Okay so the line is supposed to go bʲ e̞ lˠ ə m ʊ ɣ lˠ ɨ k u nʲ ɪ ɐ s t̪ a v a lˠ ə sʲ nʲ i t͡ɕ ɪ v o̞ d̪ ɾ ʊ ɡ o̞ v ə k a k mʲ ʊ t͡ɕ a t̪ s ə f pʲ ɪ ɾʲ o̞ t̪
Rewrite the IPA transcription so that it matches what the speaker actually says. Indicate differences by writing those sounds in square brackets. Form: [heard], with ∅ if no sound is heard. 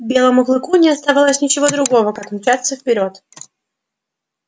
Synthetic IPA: bʲ e̞ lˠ ə m ʊ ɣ lˠ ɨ k u nʲ ɪ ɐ s t̪ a v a lˠ ə sʲ nʲ [ɪ] t͡ɕ ɪ v o̞ d̪ ɾ ʊ ɡ o̞ v ə k a k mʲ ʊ t͡ɕ a t̪ s ə f pʲ ɪ ɾʲ o̞ t̪

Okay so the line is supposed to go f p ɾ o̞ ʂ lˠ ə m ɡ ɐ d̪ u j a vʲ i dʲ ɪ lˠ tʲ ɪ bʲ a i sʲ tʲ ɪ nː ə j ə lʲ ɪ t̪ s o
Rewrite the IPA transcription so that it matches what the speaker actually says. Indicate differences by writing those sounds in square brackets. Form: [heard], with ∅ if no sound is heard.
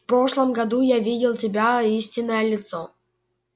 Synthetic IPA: f p ɾ o̞ ʂ lˠ ə m ɡ ɐ d̪ u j a vʲ i dʲ ɪ lˠ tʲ ɪ bʲ a i sʲ tʲ ɪ nː ə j ə lʲ ɪ t̪ s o

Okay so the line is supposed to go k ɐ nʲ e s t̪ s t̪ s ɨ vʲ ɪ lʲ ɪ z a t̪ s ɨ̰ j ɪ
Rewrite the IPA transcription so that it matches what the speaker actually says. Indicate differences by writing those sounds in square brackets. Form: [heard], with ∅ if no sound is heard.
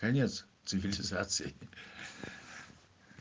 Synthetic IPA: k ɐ nʲ e [∅] t̪ s t̪ s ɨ vʲ ɪ lʲ ɪ z a t̪ s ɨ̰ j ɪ

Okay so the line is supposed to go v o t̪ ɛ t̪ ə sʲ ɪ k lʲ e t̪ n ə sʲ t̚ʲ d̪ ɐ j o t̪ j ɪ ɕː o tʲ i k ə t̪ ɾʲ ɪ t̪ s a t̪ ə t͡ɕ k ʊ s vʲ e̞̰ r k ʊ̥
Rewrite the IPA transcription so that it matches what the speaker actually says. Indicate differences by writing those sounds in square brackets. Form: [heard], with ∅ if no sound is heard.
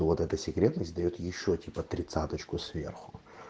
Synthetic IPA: v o t̪ ɛ t̪ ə sʲ ɪ k [ɾʲ] e t̪ n ə sʲ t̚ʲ d̪ ɐ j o t̪ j ɪ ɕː o tʲ i [p] ə t̪ ɾʲ ɪ t̪ s a t̪ ə t͡ɕ k ʊ s vʲ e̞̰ r [x] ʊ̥

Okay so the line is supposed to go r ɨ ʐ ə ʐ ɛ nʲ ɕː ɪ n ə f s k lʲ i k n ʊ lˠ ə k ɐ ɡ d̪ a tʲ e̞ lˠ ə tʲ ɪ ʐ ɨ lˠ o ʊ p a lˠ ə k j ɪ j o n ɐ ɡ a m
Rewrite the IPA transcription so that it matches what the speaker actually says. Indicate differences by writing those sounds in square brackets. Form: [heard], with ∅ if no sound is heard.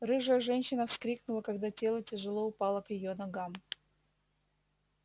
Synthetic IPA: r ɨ ʐ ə ʐ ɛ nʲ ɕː ɪ n ə f s k [ɾʲ] i k n ʊ lˠ ə k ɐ ɡ d̪ a tʲ e̞ lˠ ə tʲ ɪ ʐ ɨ lˠ o ʊ p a lˠ ə k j ɪ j o n ɐ ɡ a m

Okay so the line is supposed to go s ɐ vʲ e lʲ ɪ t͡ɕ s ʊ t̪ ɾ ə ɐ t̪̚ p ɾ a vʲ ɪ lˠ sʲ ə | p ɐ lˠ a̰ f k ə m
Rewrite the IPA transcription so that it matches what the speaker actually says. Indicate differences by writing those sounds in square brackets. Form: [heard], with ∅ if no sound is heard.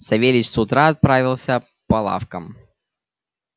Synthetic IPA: s ɐ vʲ e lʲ ɪ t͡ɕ s ʊ t̪ ɾ [a] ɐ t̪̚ p ɾ a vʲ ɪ lˠ sʲ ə | p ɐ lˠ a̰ f k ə m

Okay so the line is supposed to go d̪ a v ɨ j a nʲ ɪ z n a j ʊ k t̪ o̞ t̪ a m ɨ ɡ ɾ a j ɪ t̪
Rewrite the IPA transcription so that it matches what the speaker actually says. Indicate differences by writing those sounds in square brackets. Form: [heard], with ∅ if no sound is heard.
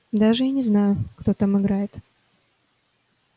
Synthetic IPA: d̪ a [ʐ] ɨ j a nʲ ɪ z n a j ʊ k t̪ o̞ t̪ a m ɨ ɡ ɾ a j ɪ t̪

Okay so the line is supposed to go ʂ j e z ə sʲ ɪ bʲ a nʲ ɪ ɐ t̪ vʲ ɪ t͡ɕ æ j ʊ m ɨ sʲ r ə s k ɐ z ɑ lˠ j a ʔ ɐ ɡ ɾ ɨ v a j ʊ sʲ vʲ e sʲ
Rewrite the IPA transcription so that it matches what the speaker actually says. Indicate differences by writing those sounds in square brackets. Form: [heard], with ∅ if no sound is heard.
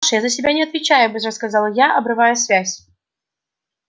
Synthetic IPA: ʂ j [a] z ə sʲ ɪ bʲ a nʲ ɪ ɐ t̪ vʲ ɪ t͡ɕ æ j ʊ [b] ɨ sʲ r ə s k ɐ z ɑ lˠ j a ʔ ɐ [b] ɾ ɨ v a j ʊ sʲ vʲ [æ] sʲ

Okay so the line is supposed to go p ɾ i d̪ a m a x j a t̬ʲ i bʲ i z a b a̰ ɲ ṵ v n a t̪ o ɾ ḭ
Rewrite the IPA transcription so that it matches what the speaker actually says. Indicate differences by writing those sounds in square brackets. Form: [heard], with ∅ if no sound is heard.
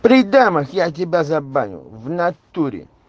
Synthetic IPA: p ɾ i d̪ a m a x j a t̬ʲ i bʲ [a] z a b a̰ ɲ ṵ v n a t̪ [u] ɾ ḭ

